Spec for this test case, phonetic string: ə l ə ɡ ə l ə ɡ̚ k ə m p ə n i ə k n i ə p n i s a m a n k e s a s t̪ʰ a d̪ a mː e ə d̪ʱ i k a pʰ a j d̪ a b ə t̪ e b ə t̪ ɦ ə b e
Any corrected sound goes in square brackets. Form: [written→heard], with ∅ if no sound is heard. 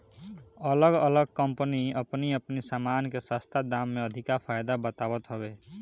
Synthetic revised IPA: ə l ə ɡ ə l ə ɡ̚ k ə m p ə n i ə [k→p] n i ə p n i s a m a n k e s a s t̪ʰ a d̪ a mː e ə d̪ʱ i k a pʰ a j d̪ a b ə t̪ [e→a] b ə t̪ ɦ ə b e